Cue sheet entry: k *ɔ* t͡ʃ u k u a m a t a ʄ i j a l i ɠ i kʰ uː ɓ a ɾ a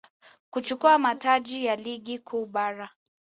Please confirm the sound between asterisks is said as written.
no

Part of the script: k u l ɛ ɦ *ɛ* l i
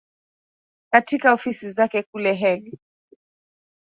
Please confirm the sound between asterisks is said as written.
yes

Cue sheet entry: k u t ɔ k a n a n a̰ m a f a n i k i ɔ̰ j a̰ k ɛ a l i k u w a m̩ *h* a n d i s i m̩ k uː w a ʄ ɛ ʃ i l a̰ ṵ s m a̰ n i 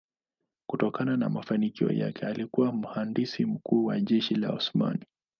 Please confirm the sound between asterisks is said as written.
yes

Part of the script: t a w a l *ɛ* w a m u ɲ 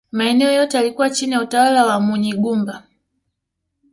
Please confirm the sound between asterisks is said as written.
no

